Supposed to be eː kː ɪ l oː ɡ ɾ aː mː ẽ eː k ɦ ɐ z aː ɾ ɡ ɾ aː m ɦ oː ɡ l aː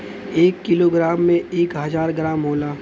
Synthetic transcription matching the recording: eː kː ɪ l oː ɡ ɾ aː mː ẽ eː k ɦ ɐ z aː ɾ ɡ ɾ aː m ɦ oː l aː